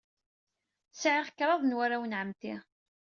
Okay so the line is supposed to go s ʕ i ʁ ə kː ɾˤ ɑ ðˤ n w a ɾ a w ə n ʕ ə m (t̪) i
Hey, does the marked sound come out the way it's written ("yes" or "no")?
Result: yes